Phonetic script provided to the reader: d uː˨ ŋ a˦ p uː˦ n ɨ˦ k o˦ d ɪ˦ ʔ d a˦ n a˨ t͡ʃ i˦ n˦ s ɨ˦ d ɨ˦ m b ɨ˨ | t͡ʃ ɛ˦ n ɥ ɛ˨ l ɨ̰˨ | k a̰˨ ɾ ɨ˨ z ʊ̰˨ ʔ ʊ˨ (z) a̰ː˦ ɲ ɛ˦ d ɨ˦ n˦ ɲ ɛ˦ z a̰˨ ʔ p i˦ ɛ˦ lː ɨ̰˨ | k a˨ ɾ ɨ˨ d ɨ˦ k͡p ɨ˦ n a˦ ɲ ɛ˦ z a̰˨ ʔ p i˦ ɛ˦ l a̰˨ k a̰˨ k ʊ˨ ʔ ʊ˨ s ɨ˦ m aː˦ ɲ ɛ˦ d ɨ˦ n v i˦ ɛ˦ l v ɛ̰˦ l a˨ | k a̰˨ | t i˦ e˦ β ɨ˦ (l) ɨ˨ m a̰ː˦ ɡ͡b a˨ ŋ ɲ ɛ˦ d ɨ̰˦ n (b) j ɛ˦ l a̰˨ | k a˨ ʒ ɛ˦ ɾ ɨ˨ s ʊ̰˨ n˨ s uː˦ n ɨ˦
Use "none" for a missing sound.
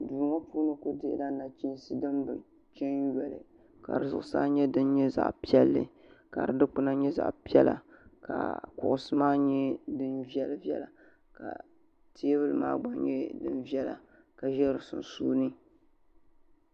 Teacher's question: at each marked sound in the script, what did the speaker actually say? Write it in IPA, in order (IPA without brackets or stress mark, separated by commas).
s, l, v